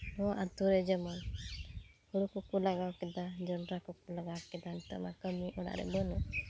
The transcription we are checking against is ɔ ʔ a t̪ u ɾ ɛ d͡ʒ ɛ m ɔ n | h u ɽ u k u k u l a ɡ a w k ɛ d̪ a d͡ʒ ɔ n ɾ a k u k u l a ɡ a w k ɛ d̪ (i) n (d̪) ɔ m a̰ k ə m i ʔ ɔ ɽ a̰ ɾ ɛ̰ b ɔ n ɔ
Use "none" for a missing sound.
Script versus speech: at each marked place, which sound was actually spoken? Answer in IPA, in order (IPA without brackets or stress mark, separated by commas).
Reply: a, t̪